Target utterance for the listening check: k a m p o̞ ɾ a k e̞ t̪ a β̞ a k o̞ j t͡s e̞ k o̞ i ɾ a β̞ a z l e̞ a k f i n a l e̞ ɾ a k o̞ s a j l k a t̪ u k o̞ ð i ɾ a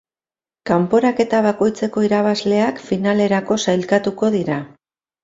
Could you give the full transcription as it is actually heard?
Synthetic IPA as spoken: k a m p o̞ ɾ a k e̞ t̪ a β̞ a k o̞ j t͡s e̞ k o̞ i ɾ a β̞ a z l e̞ a k f i n a l e̞ ɾ a k o̞ s a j l k a t̪ u k o̞ ð i ɾ a